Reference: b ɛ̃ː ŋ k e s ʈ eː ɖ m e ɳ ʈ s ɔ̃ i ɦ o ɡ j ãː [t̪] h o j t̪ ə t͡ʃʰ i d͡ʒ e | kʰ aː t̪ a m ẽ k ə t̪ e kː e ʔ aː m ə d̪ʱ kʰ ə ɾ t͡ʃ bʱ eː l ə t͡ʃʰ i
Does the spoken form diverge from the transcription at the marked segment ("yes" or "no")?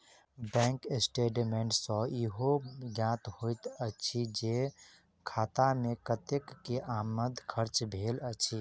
no